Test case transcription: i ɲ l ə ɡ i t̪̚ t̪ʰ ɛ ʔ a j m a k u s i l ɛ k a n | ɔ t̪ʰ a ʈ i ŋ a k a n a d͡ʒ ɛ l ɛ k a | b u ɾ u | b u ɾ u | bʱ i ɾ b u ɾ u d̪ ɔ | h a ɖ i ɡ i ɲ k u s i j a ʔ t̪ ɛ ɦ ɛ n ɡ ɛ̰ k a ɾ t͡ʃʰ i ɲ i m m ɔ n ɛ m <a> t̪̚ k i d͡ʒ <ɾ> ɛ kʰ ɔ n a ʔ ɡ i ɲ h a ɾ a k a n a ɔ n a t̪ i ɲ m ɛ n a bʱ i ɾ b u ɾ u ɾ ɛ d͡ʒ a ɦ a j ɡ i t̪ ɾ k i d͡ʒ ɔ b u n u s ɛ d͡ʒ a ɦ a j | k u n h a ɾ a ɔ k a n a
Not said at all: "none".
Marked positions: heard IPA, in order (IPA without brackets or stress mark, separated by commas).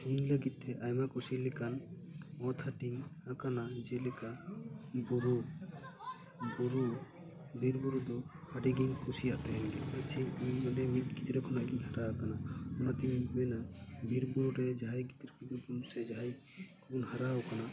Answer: i, ɾ